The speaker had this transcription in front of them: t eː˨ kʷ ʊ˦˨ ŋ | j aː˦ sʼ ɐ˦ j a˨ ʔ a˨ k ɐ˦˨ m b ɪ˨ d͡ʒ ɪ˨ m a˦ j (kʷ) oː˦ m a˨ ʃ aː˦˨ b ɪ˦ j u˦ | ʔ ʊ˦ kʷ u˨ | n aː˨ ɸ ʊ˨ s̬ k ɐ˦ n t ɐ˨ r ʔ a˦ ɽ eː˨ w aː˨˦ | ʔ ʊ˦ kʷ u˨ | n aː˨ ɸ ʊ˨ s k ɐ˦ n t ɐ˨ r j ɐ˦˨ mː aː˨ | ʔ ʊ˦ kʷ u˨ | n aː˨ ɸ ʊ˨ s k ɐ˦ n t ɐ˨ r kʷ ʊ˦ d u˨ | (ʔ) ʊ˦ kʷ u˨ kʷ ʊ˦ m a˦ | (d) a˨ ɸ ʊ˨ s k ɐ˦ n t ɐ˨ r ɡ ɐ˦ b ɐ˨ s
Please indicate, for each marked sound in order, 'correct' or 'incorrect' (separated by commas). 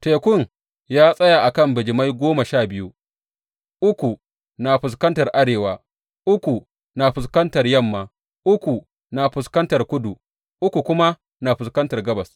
incorrect, correct, incorrect